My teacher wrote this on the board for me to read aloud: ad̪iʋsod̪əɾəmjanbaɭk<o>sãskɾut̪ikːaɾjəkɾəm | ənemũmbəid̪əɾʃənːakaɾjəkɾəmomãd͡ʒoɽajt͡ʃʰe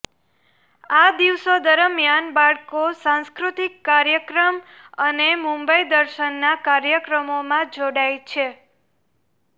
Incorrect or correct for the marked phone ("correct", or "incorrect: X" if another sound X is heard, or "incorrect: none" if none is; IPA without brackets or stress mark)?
correct